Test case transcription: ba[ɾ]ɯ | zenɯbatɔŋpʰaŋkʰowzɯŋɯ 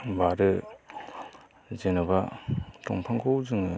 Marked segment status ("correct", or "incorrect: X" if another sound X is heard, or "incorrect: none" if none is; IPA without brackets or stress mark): correct